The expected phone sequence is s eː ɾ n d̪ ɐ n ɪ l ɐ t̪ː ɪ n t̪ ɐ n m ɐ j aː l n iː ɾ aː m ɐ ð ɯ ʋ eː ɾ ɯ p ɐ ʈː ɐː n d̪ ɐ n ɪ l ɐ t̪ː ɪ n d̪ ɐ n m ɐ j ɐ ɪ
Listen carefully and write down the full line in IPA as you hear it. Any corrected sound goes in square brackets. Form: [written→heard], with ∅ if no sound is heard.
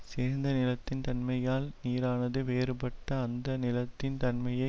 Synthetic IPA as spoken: s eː ɾ n d̪ ɐ n ɪ l ɐ t̪ː ɪ n t̪ ɐ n m ɐ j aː l n iː ɾ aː [m→n] ɐ ð ɯ ʋ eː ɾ ɯ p ɐ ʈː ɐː n d̪ ɐ n ɪ l ɐ t̪ː ɪ n [d̪→t̪] ɐ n m ɐ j ɐ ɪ